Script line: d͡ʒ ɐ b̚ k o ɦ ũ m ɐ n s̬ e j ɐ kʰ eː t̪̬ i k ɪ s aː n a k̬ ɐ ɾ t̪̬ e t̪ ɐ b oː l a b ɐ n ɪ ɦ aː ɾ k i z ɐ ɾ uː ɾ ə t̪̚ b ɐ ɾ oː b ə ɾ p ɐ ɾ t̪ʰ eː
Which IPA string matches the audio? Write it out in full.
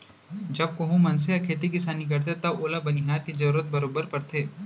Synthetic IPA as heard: d͡ʒ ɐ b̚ k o ɦ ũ m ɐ n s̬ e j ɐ kʰ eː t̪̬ i k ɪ s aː n i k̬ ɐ ɾ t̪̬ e t̪ ɐ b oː l a b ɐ n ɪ ɦ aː ɾ k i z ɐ ɾ uː ɾ ə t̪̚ b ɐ ɾ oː b ə ɾ p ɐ ɾ t̪ʰ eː